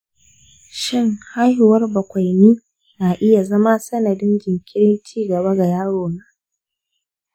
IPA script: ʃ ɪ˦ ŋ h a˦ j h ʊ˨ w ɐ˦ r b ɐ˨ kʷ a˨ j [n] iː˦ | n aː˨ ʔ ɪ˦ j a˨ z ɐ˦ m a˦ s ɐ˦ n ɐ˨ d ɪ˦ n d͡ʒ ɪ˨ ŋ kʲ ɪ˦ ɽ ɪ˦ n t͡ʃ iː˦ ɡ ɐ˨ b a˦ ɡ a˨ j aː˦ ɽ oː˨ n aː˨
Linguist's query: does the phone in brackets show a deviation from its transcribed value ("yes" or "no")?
no